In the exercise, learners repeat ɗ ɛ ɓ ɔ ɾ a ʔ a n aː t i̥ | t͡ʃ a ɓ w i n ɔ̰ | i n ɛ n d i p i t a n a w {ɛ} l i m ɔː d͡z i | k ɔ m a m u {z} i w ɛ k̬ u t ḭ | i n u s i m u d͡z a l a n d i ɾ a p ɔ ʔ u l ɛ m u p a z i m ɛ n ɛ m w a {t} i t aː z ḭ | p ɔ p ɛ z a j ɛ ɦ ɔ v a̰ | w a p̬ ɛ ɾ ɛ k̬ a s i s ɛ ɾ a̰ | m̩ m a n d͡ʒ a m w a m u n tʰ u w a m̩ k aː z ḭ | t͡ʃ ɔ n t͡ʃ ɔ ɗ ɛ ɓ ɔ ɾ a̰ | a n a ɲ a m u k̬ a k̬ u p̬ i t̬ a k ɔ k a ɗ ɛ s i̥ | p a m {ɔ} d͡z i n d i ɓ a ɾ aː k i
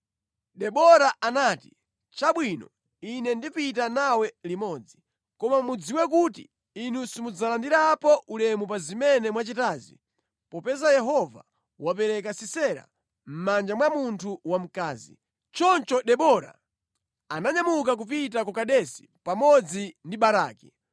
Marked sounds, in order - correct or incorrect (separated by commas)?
correct, incorrect, incorrect, correct